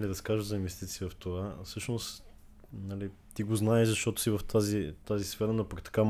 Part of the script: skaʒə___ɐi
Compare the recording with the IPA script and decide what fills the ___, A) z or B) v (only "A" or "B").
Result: A